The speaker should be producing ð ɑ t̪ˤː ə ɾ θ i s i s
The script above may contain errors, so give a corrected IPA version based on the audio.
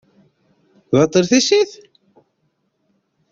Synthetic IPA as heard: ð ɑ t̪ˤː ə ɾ θ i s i θ